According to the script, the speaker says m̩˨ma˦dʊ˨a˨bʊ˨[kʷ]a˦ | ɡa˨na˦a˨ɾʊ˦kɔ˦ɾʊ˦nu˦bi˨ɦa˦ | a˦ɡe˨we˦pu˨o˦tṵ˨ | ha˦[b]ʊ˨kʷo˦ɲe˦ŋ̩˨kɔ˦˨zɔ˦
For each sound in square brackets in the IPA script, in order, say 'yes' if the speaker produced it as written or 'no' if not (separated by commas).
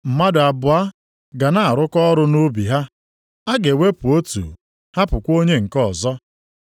no, no